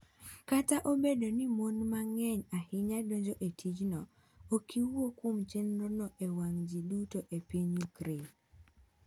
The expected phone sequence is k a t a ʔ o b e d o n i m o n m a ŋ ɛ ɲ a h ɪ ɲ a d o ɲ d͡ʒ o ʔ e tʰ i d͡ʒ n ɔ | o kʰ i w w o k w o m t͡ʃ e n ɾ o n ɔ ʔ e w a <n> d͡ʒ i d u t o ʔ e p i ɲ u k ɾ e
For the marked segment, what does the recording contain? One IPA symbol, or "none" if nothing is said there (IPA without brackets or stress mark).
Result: ŋ